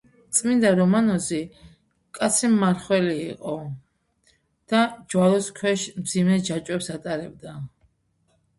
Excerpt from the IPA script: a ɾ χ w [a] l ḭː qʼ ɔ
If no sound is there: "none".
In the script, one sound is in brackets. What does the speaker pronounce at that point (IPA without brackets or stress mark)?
ɛ